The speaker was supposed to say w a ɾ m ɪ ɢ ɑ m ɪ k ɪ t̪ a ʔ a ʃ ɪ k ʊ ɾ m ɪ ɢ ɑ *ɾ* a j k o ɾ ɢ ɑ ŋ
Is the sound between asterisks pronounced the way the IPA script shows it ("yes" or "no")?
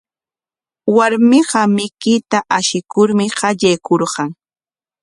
no